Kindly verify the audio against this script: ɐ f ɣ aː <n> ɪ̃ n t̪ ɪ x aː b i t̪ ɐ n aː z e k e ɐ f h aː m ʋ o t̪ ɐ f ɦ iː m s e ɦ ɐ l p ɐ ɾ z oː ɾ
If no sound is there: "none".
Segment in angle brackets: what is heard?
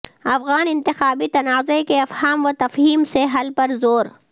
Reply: n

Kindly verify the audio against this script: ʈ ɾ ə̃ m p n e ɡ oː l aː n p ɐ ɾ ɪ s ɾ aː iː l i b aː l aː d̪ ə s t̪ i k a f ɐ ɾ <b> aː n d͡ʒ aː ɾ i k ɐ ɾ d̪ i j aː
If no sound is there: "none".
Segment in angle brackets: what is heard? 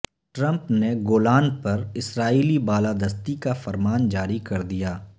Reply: m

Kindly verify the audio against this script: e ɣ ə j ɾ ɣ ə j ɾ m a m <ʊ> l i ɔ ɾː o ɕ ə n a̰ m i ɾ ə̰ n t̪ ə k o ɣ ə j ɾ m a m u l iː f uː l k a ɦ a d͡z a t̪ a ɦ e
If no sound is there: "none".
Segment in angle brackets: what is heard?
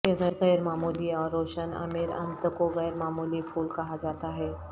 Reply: u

